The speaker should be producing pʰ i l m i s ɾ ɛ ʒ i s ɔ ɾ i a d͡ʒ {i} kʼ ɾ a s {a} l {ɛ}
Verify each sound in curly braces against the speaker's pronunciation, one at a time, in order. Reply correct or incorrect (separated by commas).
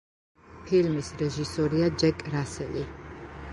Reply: incorrect, incorrect, incorrect